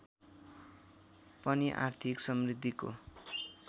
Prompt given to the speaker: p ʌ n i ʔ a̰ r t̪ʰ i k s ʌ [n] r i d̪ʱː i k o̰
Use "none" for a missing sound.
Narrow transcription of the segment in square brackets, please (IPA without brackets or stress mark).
m